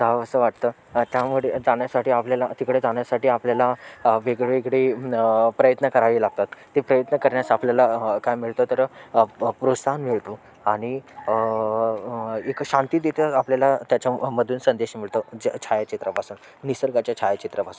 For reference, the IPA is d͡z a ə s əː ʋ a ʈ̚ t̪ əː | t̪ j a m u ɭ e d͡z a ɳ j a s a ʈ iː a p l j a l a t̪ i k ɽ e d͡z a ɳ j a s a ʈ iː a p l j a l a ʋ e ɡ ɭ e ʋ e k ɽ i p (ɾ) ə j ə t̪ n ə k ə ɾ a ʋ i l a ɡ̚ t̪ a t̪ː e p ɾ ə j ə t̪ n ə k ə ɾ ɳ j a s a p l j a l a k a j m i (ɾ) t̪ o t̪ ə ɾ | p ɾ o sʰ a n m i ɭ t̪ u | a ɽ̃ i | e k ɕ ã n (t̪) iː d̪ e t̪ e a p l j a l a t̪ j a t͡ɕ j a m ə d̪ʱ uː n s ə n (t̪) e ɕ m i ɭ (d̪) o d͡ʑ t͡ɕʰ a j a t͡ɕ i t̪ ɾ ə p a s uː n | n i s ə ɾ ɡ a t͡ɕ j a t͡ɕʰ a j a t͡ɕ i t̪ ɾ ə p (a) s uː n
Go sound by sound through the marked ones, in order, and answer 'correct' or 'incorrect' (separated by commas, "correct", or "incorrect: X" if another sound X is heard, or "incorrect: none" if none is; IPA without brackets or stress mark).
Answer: correct, incorrect: ɭ, correct, incorrect: d̪, incorrect: t̪, correct